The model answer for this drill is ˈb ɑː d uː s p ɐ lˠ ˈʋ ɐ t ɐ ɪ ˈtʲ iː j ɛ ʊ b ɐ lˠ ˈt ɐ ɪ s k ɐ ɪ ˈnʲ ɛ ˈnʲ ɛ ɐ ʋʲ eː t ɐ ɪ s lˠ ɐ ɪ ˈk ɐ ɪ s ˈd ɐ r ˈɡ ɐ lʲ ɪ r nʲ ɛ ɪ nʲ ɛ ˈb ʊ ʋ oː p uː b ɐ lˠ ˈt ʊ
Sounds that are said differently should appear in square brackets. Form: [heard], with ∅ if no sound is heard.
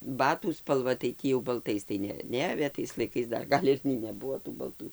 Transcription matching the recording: ˈb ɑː [t] uː s p ɐ lˠ ˈʋ ɐ t ɐ ɪ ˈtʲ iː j ɛ ʊ b ɐ lˠ ˈt ɐ ɪ s [t] ɐ ɪ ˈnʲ ɛ ˈnʲ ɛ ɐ ʋʲ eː t ɐ ɪ s lˠ ɐ ɪ ˈk ɐ ɪ s ˈd ɐ r ˈɡ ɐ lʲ ɪ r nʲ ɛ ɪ nʲ ɛ ˈb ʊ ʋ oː [t] uː b ɐ lˠ ˈt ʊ